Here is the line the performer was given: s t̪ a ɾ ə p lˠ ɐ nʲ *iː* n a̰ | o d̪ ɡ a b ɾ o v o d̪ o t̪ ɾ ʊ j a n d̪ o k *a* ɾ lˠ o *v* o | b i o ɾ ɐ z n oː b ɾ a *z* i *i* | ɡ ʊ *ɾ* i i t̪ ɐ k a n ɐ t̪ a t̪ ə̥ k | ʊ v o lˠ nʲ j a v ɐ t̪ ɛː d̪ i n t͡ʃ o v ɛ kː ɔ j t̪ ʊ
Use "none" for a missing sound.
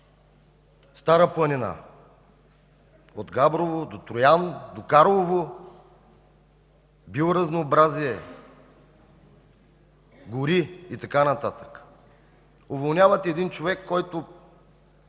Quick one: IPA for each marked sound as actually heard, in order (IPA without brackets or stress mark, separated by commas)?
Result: i, a, v, z, ɛ, ɾ